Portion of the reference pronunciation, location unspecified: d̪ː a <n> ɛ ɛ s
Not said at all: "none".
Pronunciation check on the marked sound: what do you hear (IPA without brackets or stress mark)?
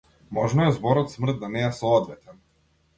n